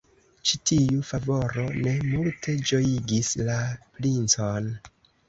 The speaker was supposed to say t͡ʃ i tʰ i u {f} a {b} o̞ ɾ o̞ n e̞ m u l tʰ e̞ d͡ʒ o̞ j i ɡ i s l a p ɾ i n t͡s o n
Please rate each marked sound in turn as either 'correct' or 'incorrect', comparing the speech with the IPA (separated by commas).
correct, incorrect